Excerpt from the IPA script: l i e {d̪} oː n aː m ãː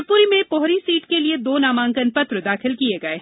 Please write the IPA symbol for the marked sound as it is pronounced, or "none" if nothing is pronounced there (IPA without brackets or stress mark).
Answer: d̪